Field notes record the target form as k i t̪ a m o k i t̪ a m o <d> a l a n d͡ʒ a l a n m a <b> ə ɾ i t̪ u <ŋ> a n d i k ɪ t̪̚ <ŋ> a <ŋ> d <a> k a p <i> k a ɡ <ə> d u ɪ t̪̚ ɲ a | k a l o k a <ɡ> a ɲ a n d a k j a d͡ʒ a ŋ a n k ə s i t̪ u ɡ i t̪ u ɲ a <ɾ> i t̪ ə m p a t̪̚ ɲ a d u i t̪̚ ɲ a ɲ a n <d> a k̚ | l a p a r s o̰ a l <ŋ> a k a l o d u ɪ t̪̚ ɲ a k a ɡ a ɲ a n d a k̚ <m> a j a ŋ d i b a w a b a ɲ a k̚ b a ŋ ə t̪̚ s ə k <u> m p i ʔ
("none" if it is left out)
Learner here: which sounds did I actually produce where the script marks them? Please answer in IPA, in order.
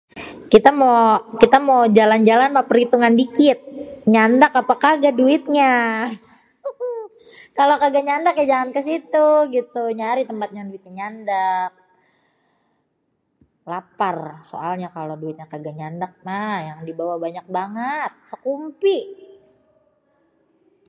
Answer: d͡ʒ, p, ŋ, ɲ, n, a, a, a, ɡ, ɾ, d, ɲ, m, u

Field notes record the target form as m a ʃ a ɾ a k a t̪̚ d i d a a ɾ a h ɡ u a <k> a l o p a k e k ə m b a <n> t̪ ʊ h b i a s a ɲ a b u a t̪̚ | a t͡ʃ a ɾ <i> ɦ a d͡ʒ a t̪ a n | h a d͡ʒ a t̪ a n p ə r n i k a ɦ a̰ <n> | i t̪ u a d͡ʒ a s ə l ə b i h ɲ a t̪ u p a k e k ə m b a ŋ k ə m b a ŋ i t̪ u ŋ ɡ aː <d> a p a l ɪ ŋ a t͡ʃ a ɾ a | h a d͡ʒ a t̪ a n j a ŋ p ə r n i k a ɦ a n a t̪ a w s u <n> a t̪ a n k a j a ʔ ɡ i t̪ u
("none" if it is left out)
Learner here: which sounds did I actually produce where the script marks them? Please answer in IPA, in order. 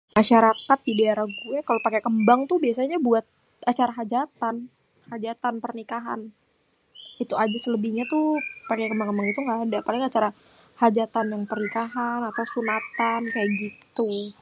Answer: k, ŋ, a, n, d, n

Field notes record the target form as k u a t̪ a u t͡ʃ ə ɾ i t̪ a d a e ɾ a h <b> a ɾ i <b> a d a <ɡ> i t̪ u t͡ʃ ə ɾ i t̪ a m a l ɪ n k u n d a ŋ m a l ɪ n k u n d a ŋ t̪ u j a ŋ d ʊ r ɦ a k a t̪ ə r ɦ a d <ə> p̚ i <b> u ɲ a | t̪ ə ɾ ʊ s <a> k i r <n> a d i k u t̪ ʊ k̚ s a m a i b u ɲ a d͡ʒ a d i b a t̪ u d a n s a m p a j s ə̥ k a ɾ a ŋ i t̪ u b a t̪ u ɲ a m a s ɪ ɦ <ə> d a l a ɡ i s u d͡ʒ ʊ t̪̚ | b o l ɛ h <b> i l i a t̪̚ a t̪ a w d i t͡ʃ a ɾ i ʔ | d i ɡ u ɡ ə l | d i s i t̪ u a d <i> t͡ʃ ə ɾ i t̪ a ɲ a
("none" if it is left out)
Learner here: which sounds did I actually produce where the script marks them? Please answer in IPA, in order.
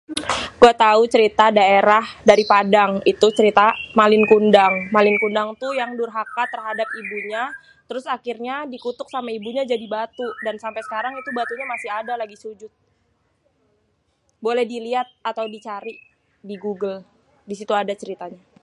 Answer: d, p, ŋ, a, b, a, ɲ, a, d, a

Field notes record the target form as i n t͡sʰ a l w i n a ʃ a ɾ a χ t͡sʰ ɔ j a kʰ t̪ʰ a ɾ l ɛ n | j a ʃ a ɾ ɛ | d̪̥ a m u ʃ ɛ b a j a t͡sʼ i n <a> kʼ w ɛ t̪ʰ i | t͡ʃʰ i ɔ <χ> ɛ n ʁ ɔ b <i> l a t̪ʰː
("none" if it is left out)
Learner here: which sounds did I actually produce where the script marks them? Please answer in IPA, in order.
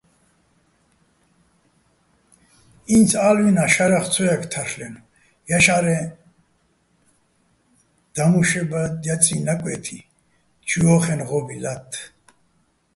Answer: a, χ, i

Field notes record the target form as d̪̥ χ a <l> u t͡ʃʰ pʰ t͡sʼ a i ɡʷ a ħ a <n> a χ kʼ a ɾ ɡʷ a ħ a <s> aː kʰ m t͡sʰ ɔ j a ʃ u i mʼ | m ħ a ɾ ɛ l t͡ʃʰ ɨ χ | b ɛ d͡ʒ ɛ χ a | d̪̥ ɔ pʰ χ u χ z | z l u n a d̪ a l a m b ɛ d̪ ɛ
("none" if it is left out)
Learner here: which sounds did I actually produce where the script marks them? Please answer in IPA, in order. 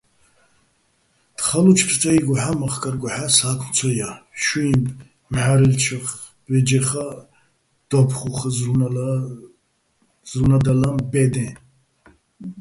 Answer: l, m, s

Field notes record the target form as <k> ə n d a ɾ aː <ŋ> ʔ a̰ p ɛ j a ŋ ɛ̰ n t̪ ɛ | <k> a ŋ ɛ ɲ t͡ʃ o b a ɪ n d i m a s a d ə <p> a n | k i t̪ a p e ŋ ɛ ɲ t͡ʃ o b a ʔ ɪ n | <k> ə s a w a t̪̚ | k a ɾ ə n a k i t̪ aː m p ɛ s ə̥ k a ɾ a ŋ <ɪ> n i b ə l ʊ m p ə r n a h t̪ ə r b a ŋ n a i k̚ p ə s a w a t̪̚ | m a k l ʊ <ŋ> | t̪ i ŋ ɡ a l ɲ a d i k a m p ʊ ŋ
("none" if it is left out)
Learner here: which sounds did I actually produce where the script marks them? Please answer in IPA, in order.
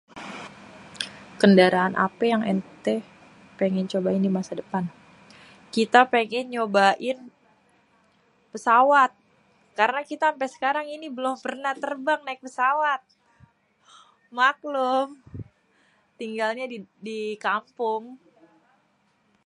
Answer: k, n, p, p, p, i, m

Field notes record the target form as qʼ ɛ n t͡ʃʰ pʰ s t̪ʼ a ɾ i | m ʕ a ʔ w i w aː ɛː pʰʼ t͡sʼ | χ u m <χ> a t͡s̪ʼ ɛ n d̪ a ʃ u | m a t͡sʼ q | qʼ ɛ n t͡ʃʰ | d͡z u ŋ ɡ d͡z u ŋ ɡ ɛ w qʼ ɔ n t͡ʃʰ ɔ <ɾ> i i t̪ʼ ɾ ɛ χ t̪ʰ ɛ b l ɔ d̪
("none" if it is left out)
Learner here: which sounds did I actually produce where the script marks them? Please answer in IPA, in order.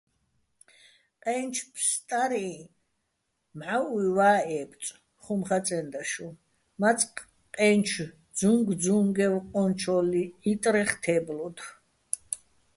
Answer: χ, l

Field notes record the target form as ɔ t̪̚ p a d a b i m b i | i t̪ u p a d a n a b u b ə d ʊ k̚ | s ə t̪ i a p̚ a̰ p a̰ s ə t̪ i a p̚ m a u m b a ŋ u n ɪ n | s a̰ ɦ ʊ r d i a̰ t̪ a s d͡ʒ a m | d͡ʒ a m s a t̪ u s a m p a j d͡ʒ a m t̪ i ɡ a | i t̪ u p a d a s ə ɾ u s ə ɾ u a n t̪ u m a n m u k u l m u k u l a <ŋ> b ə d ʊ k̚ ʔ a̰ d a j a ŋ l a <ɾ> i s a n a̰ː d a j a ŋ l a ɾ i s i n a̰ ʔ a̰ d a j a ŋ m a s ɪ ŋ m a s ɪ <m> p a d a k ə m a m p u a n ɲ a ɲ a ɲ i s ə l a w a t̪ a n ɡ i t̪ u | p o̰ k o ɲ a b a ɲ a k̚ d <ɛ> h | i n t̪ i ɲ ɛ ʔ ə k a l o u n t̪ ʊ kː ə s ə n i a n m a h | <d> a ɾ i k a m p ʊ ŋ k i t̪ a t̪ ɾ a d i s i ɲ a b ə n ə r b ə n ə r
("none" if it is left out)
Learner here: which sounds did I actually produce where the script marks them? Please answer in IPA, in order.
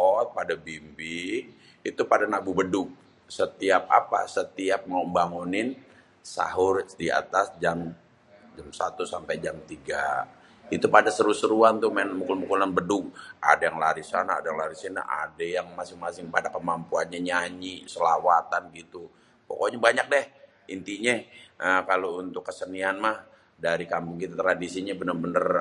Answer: n, ɾ, ŋ, ɛ, d

